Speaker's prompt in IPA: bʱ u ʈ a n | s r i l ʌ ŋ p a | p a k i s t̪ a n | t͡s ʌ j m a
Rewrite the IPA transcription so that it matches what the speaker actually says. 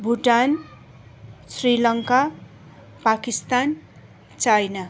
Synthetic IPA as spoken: bʱ u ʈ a n | s r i l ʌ ŋ k a | p a k i s t̪ a n | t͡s a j n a